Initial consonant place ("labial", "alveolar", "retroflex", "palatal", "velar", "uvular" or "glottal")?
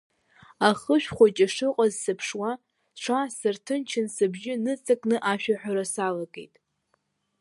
uvular